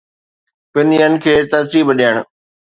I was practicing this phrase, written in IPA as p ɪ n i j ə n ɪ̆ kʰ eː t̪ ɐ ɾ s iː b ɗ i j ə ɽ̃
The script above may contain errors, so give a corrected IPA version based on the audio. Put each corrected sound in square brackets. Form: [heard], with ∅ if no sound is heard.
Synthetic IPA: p ɪ n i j ə n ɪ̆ kʰ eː t̪ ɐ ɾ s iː b ɗ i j ə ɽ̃